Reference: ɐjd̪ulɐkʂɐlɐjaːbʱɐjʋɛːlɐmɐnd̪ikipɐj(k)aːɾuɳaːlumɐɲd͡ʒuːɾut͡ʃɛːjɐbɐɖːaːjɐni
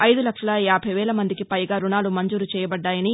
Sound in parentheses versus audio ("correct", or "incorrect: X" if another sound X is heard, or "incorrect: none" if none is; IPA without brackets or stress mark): incorrect: ɡ